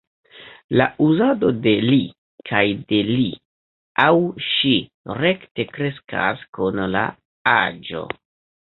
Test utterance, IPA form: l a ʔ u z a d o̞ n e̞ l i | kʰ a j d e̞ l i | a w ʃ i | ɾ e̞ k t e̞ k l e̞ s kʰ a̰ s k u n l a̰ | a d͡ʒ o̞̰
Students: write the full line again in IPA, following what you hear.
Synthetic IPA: l a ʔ u z a d o̞ d e̞ l i | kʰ a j d e̞ l i | a w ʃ i | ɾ e̞ k t e̞ k ɾ e̞ s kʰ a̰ s k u n l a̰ | a d͡ʒ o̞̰